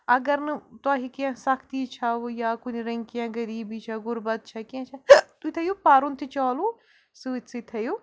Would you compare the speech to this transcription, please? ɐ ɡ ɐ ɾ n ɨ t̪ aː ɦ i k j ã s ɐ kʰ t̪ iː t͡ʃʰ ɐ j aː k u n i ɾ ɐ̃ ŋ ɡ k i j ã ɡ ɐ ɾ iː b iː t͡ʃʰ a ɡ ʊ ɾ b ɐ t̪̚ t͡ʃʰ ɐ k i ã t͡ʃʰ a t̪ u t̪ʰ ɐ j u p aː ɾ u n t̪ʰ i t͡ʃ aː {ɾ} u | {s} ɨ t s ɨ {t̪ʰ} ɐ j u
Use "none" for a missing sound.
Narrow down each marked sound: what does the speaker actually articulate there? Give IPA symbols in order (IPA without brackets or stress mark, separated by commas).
l, s, t̪ʰ